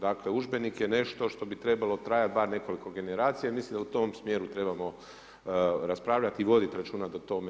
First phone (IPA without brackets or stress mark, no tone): d̪